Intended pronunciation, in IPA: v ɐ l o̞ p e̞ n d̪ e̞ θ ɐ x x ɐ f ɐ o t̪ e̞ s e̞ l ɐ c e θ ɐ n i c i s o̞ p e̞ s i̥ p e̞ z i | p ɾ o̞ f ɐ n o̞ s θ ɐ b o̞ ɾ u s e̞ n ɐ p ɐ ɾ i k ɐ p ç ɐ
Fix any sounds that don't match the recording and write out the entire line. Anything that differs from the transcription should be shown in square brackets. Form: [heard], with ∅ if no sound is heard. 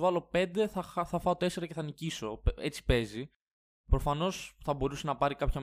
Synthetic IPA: v ɐ l o̞ p e̞ n d̪ e̞ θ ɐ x [θ] ɐ f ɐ o t̪ e̞ s e̞ [ɾ] ɐ c e θ ɐ n i c i s o̞ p e̞ [t͡s] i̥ p e̞ z i | p ɾ o̞ f ɐ n o̞ s θ ɐ b o̞ ɾ u s e̞ n ɐ p ɐ ɾ i k ɐ p ç ɐ